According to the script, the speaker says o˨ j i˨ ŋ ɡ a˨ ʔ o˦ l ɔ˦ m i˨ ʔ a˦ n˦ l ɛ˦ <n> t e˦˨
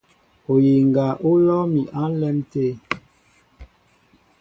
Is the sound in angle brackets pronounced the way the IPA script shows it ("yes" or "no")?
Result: no